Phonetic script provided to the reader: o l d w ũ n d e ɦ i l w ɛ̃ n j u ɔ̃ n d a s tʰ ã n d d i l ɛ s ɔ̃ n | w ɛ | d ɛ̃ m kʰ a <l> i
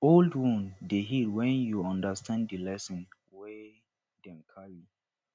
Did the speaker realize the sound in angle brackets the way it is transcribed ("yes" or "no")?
no